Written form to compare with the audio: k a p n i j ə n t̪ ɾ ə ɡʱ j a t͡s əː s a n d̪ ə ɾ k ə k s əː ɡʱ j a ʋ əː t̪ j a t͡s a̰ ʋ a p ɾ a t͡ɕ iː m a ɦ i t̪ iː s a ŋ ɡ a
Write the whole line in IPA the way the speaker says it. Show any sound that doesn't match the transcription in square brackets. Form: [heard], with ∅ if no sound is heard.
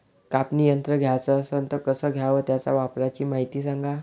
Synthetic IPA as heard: k a p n i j ə n t̪ ɾ ə ɡʱ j a t͡s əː s [ə] n [t̪] ə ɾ k ə [∅] s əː ɡʱ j a ʋ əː t̪ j a t͡s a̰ ʋ a p ɾ a t͡ɕ iː m a ɦ i t̪ iː s a ŋ ɡ a